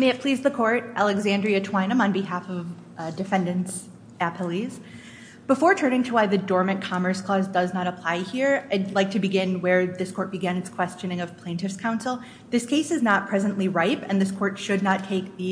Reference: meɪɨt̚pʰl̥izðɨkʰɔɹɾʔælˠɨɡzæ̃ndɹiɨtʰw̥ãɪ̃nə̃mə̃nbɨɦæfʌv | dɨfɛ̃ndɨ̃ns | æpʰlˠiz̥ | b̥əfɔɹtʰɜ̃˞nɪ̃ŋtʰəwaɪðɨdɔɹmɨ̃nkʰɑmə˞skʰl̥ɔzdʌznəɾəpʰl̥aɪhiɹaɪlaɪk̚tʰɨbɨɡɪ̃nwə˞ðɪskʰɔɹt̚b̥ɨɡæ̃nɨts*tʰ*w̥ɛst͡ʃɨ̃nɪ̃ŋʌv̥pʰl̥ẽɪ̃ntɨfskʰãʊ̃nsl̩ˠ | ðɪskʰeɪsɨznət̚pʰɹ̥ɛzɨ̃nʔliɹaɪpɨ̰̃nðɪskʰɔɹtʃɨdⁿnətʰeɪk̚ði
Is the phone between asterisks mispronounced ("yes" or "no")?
yes